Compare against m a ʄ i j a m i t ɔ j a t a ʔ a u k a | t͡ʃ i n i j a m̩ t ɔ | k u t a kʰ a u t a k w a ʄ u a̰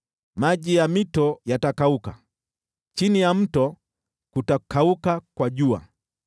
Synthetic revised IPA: m a ʄ i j a m i t ɔ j a t a k a u k a | t͡ʃ i n i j a m̩ t ɔ | k u t a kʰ a u k a k w a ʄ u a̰